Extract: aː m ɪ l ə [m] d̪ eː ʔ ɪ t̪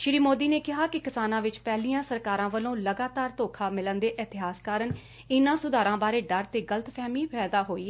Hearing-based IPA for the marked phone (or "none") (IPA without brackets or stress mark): n